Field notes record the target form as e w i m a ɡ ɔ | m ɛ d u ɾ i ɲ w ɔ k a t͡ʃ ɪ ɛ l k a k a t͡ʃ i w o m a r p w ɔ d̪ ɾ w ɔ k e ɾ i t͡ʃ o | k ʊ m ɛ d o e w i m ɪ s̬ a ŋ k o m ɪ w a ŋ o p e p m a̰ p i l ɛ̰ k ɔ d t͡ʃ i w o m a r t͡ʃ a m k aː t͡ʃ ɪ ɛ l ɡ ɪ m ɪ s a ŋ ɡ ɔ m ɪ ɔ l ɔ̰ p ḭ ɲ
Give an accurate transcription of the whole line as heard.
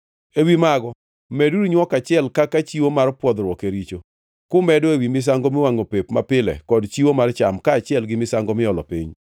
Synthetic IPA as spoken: e w i m a ɡ ɔ | m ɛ d u ɾ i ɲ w ɔ k a t͡ʃ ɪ ɛ l k a k a t͡ʃ i w o m a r p w ɔ d̪ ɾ w ɔ k e ɾ i t͡ʃ o | k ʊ m ɛ d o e w i m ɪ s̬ a ŋ ɡ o m ɪ w a ŋ o p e p m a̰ p ɪ l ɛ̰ k ɔ d t͡ʃ i w o m a r t͡ʃ a m k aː t͡ʃ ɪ ɛ l ɡ ɪ m ɪ s a ŋ ɡ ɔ m ɪ ɔ l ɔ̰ p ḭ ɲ

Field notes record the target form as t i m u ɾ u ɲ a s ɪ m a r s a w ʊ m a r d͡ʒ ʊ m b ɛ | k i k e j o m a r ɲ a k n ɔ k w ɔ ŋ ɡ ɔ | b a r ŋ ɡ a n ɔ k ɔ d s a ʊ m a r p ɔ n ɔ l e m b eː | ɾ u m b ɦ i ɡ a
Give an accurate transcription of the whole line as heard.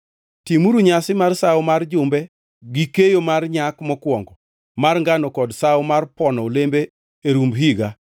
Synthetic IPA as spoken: t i m u ɾ u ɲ a s ɪ m a r s a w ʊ m a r d͡ʒ ʊ m b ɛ | ɡ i k e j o m a r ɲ a k m ɔ k w ɔ ŋ ɡ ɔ | m a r ŋ ɡ a n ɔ k ɔ d s a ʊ m a r p ɔ n ɔ l e m b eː | ɾ u m b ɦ i ɡ a

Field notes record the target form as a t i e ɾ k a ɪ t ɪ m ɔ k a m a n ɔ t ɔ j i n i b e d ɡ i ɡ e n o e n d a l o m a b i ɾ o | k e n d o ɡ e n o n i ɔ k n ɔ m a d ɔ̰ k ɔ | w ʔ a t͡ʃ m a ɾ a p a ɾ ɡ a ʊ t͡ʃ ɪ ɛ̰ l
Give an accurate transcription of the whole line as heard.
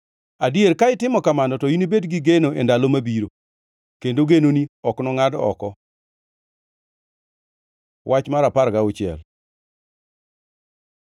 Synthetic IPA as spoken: a d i e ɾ k a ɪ t ɪ m ɔ k a m a n ɔ t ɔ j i n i b e d ɡ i ɡ e n o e n d a l o m a b i ɾ o | k e n d o ɡ e n o n i ɔ k n ɔ ŋ a d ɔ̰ k ɔ | w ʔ a t͡ʃ m a ɾ a p a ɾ ɡ a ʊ t͡ʃ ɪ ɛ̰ l

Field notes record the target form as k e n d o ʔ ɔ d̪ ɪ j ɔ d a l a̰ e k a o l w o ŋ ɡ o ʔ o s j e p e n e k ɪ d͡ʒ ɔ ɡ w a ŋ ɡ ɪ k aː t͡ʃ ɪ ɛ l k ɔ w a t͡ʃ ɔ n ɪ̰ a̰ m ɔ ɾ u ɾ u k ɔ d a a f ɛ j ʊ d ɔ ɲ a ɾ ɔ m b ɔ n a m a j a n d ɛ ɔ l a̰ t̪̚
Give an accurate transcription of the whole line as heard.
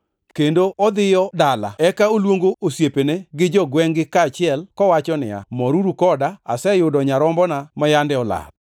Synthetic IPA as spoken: k e n d o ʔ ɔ d̪ ɪ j ɔ d a l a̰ ɛ k a o l w o ŋ ɡ o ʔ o s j e p e n e ɡ ɪ d͡ʒ ɔ ɡ w ɛ ŋ ɡ ɪ k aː t͡ʃ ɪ ɛ l k ɔ w a t͡ʃ ɔ n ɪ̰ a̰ m ɔ ɾ u ɾ u k ɔ d a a s ɛ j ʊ d ɔ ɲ a ɾ ɔ m b ɔ n a m a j a n d ɛ ɔ l a̰ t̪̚

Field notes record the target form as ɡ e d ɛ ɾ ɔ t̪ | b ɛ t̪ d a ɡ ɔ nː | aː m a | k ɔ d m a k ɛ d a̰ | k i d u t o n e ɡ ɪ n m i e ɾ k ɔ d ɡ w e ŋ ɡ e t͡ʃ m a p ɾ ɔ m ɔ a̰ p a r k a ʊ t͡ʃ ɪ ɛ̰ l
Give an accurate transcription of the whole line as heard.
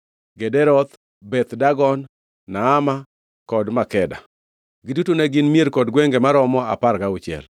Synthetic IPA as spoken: ɡ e d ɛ ɾ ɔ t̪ | b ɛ t̪ d a ɡ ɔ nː | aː m a | k ɔ d m a k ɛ d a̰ | ɡ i d u t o n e ɡ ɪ n m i e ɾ k ɔ d ɡ w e ŋ ɡ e m a ɾ ɔ m ɔ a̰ p a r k a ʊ t͡ʃ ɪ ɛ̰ l

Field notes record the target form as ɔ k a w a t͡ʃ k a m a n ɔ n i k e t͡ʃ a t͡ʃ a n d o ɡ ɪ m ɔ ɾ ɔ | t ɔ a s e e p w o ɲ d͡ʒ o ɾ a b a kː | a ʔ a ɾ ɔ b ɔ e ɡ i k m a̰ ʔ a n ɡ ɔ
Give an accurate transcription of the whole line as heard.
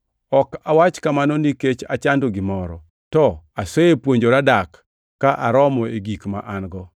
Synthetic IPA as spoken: ɔ k a w a t͡ʃ k a m a n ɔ n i k e t͡ʃ a t͡ʃ a n d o ɡ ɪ m ɔ ɾ ɔ | t ɔ a s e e p w o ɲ d͡ʒ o ɾ a d a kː | a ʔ a ɾ ɔ m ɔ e ɡ i k m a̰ ʔ a n ɡ ɔ

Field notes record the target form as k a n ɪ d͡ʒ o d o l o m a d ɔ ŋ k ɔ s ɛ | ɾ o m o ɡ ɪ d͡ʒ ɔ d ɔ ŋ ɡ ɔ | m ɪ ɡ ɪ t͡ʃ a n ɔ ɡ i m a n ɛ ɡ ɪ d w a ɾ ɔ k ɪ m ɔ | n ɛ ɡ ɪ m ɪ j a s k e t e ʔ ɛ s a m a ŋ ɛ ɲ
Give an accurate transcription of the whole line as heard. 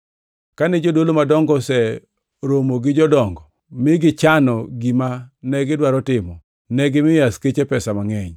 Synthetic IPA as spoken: k a n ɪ d͡ʒ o d o l o m a d ɔ ŋ ɡ ɔ s ɛ | ɾ o m o ɡ ɪ d͡ʒ ɔ d ɔ ŋ ɡ ɔ | m ɪ ɡ ɪ t͡ʃ a n ɔ ɡ i m a n ɛ ɡ ɪ d w a ɾ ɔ t ɪ m ɔ | n ɛ ɡ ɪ m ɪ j a s k e t͡ʃ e p ɛ s a m a ŋ ɛ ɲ

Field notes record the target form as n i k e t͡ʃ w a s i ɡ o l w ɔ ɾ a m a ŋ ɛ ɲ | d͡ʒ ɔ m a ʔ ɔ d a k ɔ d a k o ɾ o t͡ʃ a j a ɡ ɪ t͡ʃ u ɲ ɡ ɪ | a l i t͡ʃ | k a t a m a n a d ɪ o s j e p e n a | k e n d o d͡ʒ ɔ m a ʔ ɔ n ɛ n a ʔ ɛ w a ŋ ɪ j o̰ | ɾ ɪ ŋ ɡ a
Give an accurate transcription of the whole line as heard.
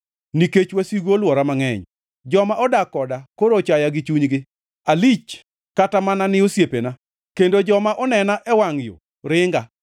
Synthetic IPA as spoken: n i k e t͡ʃ w a s i ɡ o l w ɔ ɾ a m a ŋ ɛ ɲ | d͡ʒ ɔ m a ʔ ɔ d a k ɔ d a k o ɾ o t͡ʃ a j a ɡ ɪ t͡ʃ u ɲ ɡ ɪ | a l i t͡ʃ | k a t a m a n a n ɪ o s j e p e n a | k e n d o d͡ʒ ɔ m a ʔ ɔ n ɛ n a ʔ ɛ w a ŋ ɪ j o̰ | ɾ ɪ ŋ ɡ a

